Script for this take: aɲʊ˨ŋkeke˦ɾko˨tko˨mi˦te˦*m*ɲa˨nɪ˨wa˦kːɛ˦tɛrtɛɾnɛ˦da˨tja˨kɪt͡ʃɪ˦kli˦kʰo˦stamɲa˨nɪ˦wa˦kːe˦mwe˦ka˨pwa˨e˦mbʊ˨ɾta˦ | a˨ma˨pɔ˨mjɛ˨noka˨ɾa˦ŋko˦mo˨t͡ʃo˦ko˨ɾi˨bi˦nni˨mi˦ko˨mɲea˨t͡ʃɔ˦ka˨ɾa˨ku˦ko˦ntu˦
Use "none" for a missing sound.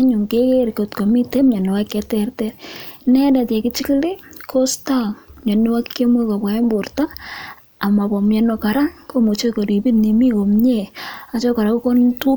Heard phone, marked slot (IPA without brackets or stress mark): m